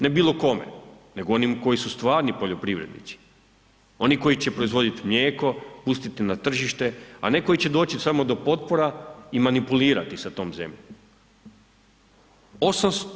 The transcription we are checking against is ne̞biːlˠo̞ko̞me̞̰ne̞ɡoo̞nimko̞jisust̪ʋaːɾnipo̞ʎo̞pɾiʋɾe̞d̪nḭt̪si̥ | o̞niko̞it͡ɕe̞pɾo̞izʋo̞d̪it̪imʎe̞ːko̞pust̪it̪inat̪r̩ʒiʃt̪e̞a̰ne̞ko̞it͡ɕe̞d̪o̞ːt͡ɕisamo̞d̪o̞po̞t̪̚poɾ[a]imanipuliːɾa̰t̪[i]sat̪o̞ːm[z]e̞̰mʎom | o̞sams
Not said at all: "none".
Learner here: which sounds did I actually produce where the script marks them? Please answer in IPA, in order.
a, i, z

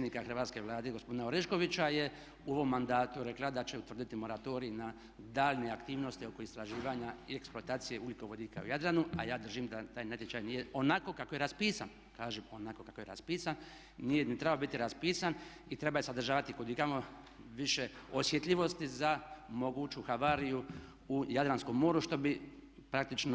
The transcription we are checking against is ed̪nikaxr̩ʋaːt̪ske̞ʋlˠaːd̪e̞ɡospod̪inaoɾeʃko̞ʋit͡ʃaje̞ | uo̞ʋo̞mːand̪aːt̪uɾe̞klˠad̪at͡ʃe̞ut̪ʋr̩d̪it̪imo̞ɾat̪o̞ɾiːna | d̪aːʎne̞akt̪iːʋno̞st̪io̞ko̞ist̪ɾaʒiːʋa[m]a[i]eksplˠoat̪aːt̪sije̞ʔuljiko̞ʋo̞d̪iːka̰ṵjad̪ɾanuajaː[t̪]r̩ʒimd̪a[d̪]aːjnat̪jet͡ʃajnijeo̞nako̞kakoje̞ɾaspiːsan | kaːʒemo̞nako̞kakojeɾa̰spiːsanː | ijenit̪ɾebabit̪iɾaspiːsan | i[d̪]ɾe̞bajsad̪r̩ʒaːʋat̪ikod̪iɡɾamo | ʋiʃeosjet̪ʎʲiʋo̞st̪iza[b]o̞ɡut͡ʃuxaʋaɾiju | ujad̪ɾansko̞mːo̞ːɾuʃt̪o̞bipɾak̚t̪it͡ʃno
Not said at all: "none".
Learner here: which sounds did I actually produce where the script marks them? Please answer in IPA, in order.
ɲ, i, d̪, t̪, t̪, m

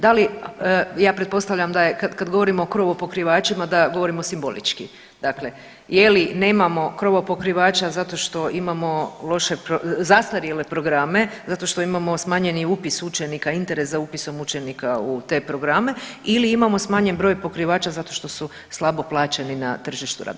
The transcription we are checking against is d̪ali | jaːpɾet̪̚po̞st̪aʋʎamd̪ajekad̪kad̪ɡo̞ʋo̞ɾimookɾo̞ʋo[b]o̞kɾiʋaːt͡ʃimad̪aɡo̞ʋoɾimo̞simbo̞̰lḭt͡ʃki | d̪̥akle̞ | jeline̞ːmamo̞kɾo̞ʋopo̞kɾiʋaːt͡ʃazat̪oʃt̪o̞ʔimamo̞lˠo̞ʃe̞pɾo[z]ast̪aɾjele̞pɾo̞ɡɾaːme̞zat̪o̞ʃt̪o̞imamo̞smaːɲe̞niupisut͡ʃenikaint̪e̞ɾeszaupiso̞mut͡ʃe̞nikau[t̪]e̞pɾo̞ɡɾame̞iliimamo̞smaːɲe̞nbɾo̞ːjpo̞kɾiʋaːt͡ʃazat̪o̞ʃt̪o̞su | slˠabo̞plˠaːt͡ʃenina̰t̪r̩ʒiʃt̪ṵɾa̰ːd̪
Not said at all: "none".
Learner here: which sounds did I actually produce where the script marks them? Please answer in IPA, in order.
p, z, t̪

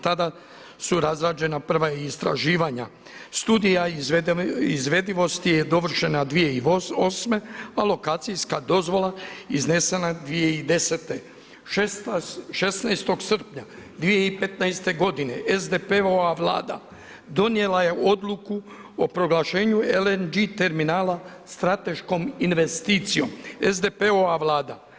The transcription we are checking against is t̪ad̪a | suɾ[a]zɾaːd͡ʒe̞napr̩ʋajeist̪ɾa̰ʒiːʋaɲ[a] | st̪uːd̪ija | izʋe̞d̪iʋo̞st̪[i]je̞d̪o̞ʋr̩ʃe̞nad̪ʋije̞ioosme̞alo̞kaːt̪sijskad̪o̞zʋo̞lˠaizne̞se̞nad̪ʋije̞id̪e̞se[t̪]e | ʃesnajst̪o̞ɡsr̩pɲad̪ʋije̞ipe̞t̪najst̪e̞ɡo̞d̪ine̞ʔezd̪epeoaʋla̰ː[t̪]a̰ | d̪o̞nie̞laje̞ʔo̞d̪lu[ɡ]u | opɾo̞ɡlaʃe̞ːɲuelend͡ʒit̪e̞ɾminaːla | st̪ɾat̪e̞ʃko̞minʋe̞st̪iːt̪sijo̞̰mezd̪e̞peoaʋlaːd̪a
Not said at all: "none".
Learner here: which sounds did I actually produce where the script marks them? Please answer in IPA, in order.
a, a, i, t̪, d̪, k

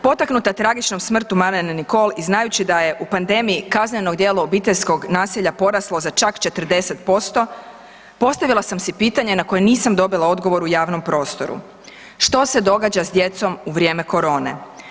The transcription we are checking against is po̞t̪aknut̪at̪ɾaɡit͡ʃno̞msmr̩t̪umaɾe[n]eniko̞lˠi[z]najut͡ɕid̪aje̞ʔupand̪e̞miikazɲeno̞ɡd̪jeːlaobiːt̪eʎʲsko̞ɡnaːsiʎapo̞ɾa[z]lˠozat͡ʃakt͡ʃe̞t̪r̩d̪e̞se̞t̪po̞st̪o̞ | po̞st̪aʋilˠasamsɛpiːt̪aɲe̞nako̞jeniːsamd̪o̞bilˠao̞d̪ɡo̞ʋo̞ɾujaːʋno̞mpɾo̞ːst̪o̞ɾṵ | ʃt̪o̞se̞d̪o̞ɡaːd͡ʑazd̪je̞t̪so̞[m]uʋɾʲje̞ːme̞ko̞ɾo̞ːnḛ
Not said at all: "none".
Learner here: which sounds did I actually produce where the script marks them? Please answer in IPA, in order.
n, z, s, m

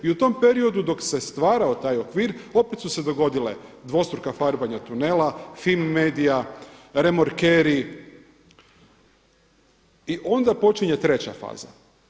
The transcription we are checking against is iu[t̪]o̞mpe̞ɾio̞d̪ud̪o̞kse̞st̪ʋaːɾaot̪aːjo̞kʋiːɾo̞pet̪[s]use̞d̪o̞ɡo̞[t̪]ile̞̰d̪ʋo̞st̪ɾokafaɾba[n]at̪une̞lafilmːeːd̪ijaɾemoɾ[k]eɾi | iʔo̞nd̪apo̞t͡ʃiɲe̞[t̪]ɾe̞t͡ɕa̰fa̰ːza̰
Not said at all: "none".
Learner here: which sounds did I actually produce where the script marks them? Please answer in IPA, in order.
t̪, s, d̪, ɲ, k, t̪

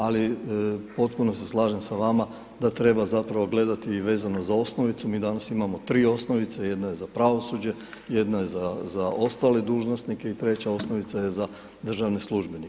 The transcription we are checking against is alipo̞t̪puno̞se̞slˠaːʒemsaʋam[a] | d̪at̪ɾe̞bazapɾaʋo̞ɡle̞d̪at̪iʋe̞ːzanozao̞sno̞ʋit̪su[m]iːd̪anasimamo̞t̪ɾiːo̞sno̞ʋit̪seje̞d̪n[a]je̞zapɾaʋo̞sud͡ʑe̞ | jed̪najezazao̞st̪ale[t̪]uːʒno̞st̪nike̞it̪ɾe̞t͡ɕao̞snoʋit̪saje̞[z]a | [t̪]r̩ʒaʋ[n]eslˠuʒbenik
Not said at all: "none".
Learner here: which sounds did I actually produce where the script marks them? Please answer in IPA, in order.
a, m, a, d̪, z, d̪, n

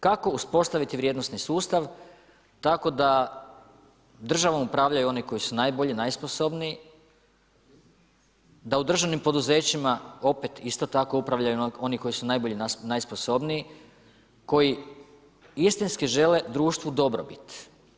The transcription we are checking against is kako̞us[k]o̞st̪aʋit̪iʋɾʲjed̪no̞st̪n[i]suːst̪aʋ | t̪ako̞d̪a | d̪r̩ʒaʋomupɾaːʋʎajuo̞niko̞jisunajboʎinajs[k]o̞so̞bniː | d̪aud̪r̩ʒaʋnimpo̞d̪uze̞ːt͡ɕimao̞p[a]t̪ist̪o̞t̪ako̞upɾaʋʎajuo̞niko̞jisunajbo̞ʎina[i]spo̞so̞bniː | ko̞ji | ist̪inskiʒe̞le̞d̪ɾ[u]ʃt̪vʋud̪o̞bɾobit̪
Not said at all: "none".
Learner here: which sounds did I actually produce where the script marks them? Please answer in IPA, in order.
p, i, p, e, j, uː

